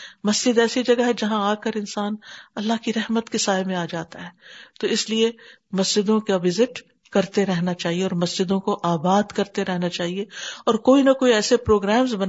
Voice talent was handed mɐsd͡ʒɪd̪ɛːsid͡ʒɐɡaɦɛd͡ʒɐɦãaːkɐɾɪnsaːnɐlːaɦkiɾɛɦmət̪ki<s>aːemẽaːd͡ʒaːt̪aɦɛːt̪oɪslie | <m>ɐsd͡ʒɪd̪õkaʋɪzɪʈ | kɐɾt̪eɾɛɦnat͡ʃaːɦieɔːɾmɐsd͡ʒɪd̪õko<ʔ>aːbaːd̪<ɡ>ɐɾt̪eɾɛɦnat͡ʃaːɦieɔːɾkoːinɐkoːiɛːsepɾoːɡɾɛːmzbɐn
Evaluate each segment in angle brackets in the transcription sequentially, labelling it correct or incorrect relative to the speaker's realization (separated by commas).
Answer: correct, correct, correct, incorrect